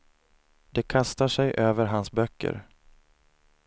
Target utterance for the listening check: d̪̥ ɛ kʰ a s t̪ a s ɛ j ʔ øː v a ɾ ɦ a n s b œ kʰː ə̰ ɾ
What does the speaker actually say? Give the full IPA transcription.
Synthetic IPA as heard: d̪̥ ɛ kʰ a s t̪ a ʂ ɛ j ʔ øː v ə ɾ ɦ a n s b œ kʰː ə̰ ɾ